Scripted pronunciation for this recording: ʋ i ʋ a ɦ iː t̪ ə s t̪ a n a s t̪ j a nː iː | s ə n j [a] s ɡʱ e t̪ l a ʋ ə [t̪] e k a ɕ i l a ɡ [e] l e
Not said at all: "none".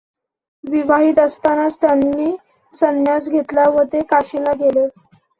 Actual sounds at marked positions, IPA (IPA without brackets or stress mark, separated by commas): a, t̪, e